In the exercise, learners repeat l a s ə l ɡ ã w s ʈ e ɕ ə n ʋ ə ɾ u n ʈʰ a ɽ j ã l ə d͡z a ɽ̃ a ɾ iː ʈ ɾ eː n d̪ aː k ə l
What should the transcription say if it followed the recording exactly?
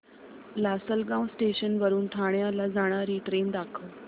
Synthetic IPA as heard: l a s ə l ɡ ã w s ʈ e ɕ ə n ʋ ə ɾ uː n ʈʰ a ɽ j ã l a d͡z a ɽ̃ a ɾ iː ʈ ɾ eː n d̪ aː kʰ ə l